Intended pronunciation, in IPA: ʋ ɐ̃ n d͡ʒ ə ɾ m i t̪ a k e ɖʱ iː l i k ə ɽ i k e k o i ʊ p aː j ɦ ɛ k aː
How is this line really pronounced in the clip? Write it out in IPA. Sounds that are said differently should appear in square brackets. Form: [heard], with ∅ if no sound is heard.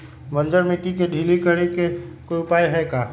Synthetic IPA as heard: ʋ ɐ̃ n d͡ʒ ə ɾ m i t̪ [i] k e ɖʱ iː l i k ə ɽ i k e k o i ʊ p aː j ɦ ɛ k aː